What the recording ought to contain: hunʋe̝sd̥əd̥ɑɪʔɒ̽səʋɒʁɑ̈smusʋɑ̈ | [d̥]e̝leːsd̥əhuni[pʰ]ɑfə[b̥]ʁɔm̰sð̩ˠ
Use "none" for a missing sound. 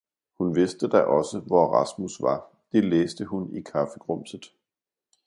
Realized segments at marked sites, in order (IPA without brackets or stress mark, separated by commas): d̥, kʰ, ɡ̥